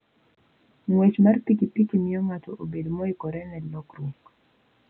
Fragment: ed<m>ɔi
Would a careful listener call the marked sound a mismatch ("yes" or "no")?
no